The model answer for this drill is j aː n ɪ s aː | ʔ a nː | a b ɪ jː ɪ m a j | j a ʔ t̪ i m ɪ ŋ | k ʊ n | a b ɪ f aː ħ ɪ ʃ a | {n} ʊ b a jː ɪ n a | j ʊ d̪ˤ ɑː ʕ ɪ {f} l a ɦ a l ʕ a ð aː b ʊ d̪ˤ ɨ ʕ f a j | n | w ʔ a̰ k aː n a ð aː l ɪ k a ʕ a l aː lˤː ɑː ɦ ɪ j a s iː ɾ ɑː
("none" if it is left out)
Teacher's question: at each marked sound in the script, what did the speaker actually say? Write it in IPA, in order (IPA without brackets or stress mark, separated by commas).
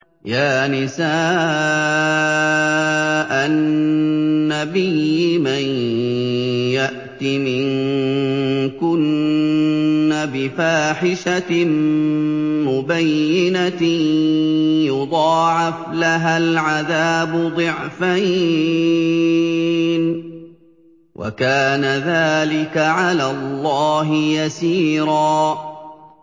m, f